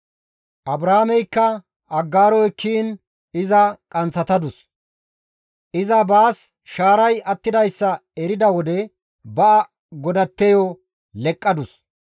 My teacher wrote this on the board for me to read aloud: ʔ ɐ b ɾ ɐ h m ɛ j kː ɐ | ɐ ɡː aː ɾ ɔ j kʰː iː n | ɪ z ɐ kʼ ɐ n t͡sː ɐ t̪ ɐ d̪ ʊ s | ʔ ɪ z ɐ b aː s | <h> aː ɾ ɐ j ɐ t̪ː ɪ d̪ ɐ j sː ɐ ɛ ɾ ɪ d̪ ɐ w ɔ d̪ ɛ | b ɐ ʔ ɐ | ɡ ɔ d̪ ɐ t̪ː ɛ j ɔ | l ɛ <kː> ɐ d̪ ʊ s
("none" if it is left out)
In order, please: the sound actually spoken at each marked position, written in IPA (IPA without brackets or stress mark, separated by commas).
ʃ, kʼː